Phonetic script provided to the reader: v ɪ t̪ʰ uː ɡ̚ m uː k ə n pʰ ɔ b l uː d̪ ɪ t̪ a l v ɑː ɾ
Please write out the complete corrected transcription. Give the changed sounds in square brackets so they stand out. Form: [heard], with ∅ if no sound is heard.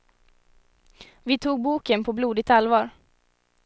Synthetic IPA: v ɪ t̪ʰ uː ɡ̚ [b] uː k ə n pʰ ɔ b l uː d̪ ɪ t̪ a l v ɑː ɾ